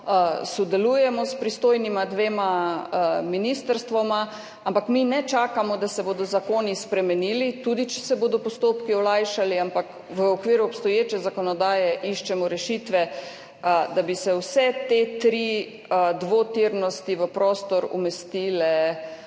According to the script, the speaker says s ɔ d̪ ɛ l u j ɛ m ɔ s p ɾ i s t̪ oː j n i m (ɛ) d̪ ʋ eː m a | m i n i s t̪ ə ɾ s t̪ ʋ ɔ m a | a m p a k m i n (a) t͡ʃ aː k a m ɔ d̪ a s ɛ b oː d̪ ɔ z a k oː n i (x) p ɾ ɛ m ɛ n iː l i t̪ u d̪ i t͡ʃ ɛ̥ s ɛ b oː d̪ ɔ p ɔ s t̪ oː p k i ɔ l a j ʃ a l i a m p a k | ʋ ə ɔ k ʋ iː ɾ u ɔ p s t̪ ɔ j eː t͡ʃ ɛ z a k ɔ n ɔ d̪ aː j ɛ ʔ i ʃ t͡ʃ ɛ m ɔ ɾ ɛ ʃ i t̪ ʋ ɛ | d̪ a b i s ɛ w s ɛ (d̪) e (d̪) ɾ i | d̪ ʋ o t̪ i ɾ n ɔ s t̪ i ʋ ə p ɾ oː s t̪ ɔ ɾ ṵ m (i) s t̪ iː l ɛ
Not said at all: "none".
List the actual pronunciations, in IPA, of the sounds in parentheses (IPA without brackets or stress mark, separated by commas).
a, ɛ, s, t̪, t̪, ɛ